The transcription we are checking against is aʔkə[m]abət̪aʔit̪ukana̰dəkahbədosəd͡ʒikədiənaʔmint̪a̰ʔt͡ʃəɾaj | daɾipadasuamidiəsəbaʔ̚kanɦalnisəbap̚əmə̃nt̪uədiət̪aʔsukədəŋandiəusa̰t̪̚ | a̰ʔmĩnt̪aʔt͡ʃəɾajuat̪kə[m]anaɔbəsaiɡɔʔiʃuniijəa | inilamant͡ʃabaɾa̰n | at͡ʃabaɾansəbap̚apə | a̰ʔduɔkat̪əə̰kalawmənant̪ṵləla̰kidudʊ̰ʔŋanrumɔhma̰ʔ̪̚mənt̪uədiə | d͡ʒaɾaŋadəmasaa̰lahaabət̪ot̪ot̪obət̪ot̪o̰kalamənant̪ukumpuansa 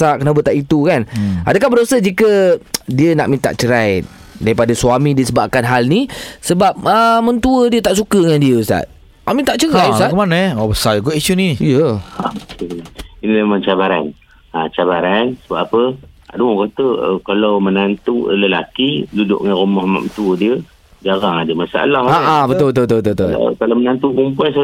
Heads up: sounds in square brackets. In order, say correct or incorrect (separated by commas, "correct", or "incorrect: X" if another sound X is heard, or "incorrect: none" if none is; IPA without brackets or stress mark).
incorrect: n, correct